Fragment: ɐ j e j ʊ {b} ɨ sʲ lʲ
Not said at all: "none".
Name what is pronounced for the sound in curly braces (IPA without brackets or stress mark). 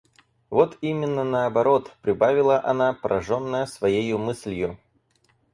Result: m